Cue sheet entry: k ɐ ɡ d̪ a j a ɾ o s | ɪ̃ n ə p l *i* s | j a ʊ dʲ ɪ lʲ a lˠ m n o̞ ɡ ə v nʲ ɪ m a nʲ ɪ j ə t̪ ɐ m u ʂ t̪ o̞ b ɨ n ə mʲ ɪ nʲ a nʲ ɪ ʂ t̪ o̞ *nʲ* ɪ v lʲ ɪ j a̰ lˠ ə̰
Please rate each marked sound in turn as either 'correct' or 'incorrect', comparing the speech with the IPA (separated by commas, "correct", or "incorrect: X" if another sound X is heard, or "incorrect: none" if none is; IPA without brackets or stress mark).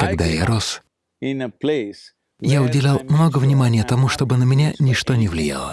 incorrect: e, correct